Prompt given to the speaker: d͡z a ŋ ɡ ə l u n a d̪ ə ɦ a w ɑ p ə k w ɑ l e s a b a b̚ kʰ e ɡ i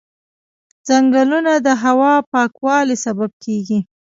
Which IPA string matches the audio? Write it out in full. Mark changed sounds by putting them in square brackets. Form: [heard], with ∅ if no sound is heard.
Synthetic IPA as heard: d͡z a ŋ ɡ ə l u n a d̪ ə ɦ a w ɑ p [ɑ] k w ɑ l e s a b a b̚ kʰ e ɡ i